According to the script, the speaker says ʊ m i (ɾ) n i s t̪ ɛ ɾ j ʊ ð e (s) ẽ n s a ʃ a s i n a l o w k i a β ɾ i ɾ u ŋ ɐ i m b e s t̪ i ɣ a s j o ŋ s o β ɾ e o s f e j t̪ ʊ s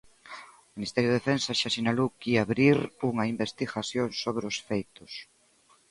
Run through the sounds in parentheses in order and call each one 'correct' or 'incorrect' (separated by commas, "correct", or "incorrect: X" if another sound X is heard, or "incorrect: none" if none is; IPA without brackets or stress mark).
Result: incorrect: none, incorrect: f